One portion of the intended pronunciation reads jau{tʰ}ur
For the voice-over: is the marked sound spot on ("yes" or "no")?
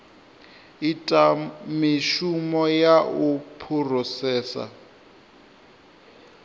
no